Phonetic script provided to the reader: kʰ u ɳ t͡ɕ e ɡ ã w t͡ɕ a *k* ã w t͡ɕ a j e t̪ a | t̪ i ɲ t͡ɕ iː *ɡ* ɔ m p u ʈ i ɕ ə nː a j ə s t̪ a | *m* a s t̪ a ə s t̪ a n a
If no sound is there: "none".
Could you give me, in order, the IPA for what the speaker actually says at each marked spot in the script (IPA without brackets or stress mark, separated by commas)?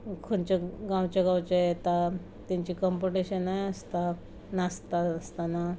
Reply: ɡ, k, n